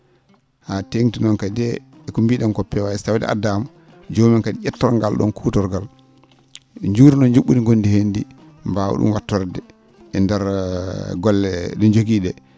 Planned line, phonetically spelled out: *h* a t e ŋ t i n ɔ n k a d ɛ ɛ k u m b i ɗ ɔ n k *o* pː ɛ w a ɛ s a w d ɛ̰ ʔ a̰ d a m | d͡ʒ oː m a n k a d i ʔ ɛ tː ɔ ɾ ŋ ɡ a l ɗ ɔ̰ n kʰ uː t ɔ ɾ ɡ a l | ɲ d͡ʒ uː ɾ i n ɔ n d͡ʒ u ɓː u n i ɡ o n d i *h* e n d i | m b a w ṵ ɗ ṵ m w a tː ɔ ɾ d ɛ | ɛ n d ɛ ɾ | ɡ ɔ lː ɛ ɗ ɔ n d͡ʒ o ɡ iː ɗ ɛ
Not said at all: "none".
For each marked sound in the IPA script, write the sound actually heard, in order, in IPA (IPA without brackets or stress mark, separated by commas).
h, ɔ, h